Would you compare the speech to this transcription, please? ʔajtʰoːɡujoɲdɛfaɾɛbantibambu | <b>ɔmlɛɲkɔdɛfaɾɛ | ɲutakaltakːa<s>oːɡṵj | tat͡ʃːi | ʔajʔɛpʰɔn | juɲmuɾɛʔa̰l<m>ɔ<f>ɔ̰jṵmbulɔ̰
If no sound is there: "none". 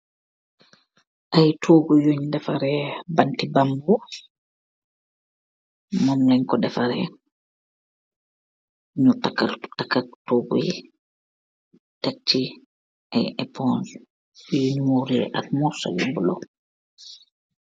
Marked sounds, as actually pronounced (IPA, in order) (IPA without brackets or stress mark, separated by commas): m, t, m, s